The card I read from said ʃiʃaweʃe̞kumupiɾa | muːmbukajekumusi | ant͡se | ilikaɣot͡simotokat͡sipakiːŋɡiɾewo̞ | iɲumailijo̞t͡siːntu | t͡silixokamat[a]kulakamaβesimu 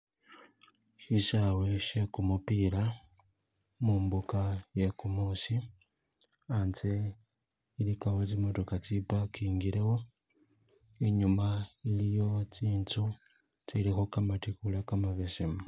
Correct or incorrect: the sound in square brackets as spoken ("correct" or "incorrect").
incorrect